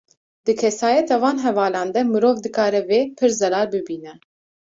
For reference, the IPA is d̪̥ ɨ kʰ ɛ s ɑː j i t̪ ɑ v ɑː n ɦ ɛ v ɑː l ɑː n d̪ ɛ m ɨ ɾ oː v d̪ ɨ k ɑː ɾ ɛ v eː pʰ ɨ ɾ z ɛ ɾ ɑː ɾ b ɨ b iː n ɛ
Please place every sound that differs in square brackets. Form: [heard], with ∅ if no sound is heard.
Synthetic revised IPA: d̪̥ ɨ kʰ ɛ s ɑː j [ɛ] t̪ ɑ v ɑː n ɦ ɛ v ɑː l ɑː n d̪ ɛ m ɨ ɾ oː v d̪ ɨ k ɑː ɾ ɛ v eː pʰ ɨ ɾ z ɛ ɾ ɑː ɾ b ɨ b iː n ɛ